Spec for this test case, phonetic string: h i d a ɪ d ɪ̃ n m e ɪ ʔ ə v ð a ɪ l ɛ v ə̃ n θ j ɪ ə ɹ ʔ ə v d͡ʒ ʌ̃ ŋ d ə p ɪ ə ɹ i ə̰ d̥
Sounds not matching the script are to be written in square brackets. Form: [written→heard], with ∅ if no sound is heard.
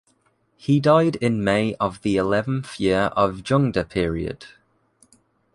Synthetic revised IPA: h i d a ɪ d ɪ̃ n m e ɪ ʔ ə v ð [a→i] ɪ l ɛ v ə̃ n θ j ɪ ə ɹ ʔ ə v d͡ʒ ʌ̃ ŋ d ə [p→pʰ] ɪ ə ɹ i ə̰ d̥